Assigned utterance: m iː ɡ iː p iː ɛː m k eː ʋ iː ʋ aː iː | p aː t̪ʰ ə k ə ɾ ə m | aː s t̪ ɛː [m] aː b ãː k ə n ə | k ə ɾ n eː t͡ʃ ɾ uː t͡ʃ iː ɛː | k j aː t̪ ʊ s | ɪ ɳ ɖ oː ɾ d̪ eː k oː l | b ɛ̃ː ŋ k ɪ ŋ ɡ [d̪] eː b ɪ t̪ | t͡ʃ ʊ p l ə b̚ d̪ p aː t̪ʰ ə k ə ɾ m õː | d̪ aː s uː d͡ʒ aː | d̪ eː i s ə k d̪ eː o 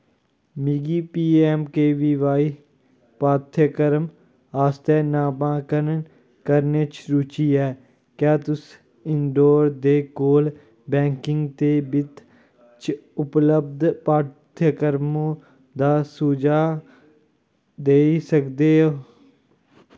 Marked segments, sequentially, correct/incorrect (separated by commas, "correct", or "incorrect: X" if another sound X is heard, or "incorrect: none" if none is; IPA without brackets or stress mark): incorrect: n, incorrect: t̪